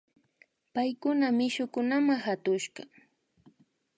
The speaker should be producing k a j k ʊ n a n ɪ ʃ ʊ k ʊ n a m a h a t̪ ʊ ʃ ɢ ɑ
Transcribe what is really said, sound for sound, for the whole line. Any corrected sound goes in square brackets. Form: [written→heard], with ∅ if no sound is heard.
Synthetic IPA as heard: [k→p] a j k ʊ n a [n→m] ɪ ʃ ʊ k ʊ n a m a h a t̪ ʊ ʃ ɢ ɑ